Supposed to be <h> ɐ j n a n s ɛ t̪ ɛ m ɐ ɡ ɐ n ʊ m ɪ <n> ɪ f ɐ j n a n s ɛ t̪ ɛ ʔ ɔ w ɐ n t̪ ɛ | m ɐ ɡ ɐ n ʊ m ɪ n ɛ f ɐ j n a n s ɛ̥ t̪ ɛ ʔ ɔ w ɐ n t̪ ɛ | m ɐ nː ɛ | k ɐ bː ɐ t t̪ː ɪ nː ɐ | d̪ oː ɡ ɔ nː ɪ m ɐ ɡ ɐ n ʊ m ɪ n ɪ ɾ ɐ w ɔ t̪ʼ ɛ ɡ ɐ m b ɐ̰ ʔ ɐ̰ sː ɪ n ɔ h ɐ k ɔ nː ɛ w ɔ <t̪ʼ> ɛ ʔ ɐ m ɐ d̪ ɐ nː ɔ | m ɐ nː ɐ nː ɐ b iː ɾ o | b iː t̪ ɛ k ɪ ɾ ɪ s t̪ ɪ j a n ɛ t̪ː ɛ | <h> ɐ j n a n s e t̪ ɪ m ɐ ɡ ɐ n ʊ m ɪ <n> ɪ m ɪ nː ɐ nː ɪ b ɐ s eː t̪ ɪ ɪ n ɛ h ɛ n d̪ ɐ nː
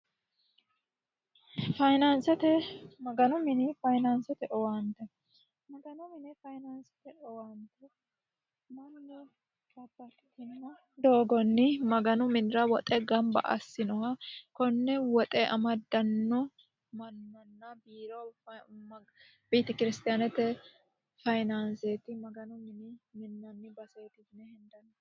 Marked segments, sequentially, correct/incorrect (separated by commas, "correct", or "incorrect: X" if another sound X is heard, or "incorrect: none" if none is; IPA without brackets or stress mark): incorrect: f, correct, correct, incorrect: f, correct